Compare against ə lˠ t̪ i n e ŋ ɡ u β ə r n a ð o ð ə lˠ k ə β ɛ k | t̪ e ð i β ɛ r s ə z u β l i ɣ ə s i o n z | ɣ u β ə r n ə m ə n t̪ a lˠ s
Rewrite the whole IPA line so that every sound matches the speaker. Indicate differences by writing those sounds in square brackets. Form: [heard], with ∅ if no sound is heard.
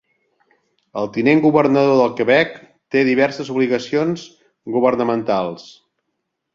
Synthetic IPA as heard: ə lˠ t̪ i n e ŋ ɡ u β ə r n [ə] ð o ð ə lˠ k ə β ɛ k | t̪ e ð i β ɛ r s ə z u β l i ɣ ə s i o n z | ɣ u β ə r n ə m ə n t̪ a lˠ s

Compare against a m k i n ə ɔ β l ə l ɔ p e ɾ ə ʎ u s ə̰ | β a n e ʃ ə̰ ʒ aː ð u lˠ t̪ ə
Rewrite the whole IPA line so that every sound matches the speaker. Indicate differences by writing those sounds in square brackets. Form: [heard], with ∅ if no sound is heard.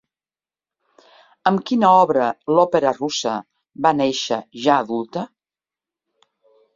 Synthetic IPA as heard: [ə] m k i n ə ɔ β [ɾ] ə l ɔ p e ɾ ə [r] u s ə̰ | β a n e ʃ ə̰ ʒ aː ð u lˠ t̪ ə

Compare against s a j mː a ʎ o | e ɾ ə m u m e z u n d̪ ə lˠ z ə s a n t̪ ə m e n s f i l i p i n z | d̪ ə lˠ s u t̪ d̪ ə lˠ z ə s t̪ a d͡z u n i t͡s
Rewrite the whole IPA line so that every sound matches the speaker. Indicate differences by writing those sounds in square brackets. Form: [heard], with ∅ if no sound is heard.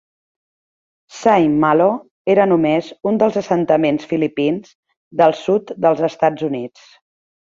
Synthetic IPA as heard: s a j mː a [l] o | e ɾ ə [n] u m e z u n d̪ ə lˠ z ə s [ə] n t̪ ə m e n s f i l i p i n z | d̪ ə lˠ s u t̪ d̪ ə lˠ z ə s t̪ a d͡z u n i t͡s

